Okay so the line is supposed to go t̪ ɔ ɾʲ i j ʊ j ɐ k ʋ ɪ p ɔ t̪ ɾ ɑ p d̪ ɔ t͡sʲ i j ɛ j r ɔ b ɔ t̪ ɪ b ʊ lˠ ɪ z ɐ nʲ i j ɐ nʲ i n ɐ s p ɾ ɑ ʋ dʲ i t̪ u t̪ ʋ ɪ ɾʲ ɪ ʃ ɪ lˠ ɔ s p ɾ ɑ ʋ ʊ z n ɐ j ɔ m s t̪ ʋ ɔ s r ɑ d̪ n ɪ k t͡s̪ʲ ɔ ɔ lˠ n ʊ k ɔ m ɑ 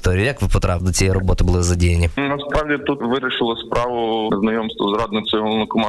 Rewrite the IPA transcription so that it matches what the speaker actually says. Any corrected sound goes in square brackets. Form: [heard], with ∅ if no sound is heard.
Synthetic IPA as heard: t̪ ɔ ɾʲ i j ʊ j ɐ k ʋ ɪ p ɔ t̪ ɾ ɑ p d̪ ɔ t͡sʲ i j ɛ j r ɔ b ɔ t̪ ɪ b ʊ lˠ ɪ z ɐ [dʲ] i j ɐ nʲ i n ɐ s p ɾ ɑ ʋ dʲ i t̪ u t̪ ʋ ɪ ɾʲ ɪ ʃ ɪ lˠ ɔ s p ɾ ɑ ʋ ʊ z n ɐ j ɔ m s t̪ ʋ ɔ [z] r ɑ d̪ n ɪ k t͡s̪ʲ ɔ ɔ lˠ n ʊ k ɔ m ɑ